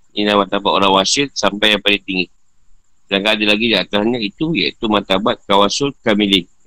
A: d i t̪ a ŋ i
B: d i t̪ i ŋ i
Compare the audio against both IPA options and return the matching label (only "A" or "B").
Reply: B